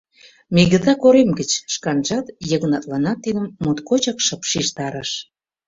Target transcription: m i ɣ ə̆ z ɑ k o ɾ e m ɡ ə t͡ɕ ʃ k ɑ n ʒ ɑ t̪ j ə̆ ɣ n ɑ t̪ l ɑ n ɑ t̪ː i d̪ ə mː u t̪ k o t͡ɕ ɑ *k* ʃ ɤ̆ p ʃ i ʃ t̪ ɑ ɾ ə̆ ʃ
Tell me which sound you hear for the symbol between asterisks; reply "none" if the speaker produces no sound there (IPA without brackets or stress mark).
k